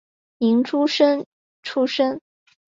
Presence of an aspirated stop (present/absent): present